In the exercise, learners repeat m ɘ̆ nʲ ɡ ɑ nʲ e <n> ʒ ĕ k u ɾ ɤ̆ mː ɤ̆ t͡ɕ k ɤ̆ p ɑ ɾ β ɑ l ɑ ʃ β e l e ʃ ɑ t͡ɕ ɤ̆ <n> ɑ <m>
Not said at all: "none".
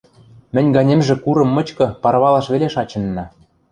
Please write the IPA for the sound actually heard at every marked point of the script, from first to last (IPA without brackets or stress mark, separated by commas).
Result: m, nː, none